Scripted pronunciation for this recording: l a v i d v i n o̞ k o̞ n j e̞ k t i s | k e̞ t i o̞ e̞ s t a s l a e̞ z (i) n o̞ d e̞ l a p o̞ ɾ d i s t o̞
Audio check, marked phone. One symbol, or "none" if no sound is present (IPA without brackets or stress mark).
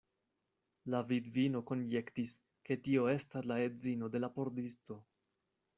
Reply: i